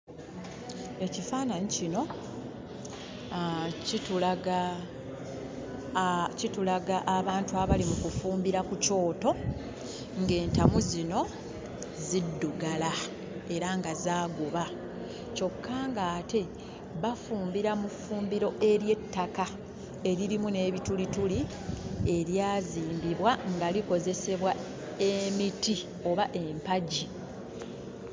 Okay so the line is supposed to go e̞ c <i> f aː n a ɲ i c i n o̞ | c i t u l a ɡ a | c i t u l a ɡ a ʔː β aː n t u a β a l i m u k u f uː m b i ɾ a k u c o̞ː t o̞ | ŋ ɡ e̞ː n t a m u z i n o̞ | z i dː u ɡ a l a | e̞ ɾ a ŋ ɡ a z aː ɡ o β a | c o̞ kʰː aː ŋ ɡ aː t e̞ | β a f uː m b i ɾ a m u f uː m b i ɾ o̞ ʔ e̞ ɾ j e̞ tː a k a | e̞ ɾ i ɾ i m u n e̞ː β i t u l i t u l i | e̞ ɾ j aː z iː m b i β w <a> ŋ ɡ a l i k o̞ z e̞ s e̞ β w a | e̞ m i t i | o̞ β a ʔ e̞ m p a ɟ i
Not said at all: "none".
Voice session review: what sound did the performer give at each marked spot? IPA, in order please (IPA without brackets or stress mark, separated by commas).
i, a